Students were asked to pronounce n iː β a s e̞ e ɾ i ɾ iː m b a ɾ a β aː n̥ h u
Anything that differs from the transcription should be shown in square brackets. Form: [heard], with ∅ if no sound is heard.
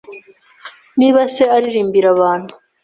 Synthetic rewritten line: n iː β a s e̞ [a] ɾ i ɾ iː m b [i] ɾ a β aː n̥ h u